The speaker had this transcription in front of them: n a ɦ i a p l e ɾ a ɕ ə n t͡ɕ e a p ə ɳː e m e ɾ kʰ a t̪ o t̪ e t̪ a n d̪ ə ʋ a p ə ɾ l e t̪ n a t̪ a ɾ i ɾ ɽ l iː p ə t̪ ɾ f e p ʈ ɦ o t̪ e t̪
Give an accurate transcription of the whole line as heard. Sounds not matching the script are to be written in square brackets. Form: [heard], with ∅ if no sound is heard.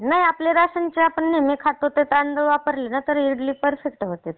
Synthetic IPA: n a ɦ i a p l e ɾ a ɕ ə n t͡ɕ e a p ə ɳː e m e [∅] kʰ a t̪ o t̪ e t̪ a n d̪ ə ʋ a p ə ɾ l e [∅] n a t̪ [ə] ɾ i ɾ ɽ l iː p ə [∅] ɾ f e [k] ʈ ɦ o t̪ e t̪